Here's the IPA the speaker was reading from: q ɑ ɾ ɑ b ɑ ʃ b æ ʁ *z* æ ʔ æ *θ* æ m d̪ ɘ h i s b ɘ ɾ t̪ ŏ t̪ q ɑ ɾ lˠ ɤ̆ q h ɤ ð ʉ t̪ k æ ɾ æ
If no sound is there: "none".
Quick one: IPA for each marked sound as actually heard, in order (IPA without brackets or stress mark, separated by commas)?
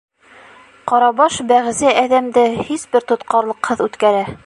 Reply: z, ð